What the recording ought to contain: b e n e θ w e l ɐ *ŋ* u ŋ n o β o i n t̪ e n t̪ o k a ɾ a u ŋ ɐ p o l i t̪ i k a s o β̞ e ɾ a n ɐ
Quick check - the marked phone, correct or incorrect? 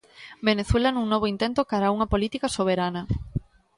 incorrect